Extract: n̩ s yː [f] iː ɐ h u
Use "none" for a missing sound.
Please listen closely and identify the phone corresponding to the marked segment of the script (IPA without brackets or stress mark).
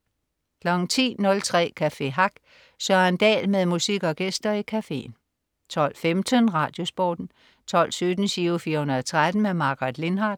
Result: f